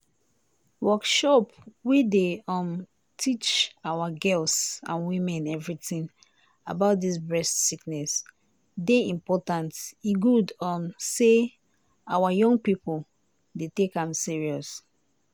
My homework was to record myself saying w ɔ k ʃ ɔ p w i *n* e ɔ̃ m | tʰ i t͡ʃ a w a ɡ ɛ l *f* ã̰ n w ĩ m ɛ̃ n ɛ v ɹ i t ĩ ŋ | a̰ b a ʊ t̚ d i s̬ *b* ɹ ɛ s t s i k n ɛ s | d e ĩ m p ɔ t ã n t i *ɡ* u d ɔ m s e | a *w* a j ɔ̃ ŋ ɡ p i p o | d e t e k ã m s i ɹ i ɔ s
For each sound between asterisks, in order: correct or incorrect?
incorrect, incorrect, correct, correct, correct

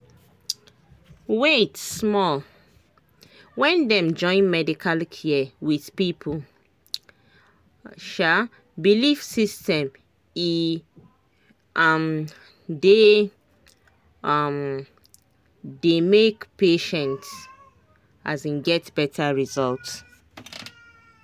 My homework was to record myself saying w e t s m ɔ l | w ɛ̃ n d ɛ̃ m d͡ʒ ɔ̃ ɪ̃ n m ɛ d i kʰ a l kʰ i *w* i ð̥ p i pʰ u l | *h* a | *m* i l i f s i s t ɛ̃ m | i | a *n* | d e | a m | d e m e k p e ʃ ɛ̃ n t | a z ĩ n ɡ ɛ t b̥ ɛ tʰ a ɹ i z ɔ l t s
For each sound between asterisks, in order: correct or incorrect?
correct, incorrect, incorrect, incorrect

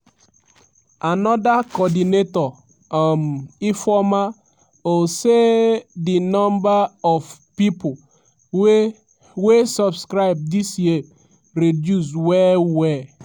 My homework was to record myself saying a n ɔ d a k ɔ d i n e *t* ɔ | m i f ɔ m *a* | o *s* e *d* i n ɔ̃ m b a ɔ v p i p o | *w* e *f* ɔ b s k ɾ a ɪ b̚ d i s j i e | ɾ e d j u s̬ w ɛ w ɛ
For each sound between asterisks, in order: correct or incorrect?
correct, correct, correct, correct, correct, incorrect

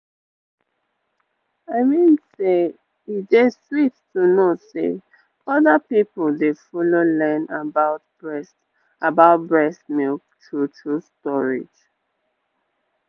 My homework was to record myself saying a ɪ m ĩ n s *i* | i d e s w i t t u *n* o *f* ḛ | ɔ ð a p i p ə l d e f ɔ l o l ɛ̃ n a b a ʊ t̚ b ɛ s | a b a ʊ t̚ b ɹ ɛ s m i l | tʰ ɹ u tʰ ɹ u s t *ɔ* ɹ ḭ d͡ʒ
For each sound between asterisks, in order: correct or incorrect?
incorrect, correct, incorrect, correct

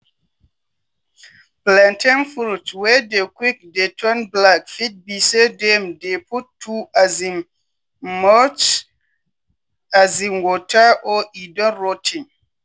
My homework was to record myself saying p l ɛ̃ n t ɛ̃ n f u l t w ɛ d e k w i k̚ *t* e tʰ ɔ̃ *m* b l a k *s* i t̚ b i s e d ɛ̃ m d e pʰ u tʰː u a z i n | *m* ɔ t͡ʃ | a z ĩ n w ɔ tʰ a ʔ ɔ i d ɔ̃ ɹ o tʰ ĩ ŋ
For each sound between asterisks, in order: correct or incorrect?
incorrect, incorrect, incorrect, correct

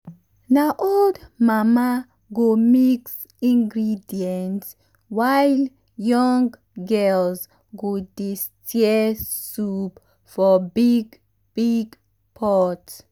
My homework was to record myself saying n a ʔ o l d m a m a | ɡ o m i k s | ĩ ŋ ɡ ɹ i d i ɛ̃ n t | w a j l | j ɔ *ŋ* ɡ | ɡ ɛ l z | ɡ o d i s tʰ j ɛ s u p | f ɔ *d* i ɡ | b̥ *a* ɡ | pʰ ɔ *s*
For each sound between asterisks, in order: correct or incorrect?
correct, incorrect, incorrect, incorrect

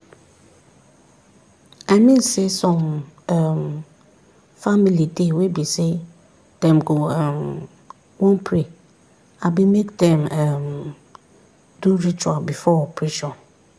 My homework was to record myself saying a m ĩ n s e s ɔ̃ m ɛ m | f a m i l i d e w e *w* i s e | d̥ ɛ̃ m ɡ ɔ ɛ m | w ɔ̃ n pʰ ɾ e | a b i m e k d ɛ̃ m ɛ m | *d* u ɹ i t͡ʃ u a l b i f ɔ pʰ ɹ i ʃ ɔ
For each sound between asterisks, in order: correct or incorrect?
incorrect, correct

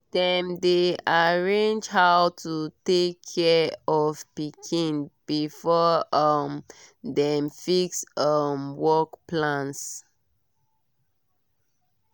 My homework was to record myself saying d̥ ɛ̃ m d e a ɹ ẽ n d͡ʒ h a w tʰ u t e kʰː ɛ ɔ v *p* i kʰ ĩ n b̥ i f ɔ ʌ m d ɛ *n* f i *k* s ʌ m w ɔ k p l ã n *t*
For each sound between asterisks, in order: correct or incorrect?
correct, incorrect, correct, incorrect

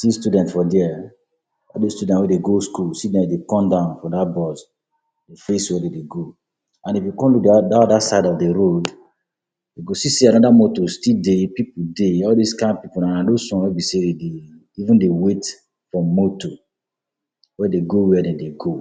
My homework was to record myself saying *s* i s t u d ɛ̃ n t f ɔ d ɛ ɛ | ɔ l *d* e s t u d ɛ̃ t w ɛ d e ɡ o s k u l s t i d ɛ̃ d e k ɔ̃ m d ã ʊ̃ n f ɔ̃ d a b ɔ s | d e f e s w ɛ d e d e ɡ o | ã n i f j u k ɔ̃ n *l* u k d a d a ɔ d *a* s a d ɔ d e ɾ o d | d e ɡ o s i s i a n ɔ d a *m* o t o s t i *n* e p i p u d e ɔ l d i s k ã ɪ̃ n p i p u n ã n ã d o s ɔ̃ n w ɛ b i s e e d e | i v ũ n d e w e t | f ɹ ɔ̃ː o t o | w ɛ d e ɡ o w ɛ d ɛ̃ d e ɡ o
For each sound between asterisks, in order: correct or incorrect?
correct, correct, correct, correct, correct, incorrect

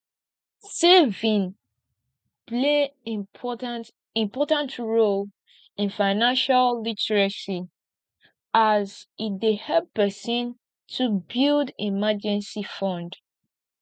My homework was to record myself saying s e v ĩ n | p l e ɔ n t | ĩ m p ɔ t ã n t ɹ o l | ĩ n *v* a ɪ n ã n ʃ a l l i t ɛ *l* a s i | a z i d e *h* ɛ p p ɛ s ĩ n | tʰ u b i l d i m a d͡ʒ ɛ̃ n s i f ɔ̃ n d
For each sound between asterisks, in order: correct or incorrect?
incorrect, incorrect, correct

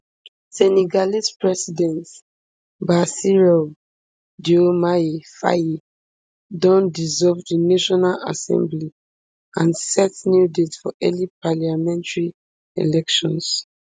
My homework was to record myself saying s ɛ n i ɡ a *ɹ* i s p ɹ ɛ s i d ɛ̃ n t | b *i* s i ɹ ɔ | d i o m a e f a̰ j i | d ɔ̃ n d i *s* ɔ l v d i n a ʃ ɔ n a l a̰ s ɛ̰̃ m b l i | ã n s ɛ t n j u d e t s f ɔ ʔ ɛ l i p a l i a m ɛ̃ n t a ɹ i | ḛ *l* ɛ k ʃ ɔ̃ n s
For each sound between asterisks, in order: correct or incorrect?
incorrect, incorrect, incorrect, correct

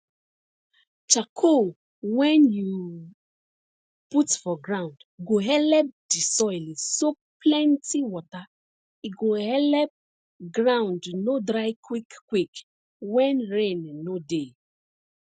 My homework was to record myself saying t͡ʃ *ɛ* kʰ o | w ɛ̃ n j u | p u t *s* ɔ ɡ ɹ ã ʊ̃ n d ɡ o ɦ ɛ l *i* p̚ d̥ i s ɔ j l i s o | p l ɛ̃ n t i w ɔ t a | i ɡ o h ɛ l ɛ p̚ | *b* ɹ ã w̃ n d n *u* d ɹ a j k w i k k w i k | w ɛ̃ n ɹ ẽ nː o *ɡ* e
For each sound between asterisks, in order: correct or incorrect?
incorrect, incorrect, incorrect, incorrect, incorrect, incorrect

